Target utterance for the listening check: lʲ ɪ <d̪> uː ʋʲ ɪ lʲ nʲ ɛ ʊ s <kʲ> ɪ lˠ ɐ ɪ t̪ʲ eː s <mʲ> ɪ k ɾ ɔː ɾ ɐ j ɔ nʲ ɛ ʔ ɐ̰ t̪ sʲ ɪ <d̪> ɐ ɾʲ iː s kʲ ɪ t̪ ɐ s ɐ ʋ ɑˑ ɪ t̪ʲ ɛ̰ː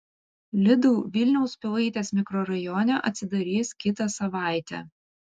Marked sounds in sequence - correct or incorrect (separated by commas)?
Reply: correct, incorrect, correct, correct